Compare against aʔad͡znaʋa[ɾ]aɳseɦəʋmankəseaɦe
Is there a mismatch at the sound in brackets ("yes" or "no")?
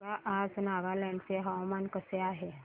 yes